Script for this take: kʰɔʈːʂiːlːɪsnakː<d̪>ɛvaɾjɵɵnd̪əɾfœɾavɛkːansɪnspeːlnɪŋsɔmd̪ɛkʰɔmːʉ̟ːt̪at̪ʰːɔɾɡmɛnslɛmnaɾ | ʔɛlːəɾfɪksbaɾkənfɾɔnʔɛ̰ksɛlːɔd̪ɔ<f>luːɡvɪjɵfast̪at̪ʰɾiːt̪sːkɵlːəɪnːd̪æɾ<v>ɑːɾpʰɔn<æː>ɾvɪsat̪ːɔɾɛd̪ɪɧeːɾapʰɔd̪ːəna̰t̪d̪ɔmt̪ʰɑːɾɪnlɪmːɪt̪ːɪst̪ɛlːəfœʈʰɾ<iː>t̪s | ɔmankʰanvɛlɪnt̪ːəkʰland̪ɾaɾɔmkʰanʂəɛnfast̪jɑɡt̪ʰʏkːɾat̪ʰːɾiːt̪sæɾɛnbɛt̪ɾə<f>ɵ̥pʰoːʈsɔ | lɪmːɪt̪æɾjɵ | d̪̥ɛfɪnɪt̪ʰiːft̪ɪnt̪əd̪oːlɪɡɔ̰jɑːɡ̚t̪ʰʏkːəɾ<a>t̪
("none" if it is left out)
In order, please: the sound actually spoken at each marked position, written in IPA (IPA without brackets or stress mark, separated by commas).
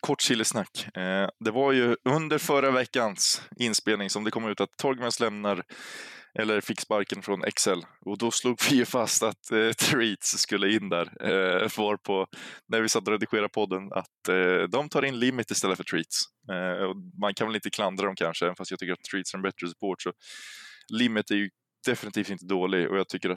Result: d̪, s, v, æ, iː, s, a